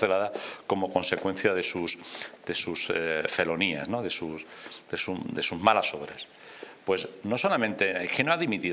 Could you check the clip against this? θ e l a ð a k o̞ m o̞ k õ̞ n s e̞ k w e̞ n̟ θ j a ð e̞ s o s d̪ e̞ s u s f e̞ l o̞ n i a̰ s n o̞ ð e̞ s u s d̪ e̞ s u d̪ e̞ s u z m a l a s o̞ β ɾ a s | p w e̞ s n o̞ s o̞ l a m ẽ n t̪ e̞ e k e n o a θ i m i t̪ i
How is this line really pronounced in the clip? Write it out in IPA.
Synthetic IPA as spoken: θ e l a ð a k o̞ m o̞ k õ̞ n s e̞ k w e̞ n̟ θ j a ð e̞ s u s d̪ e̞ s u s f e̞ l o̞ n i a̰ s n o̞ ð e̞ s u s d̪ e̞ s u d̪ e̞ s u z m a l a s o̞ β ɾ a s | p w e̞ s n o̞ s o̞ l a m ẽ n t̪ e̞ e k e n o a ð i m i t̪ i